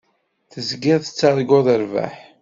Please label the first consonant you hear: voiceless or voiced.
voiceless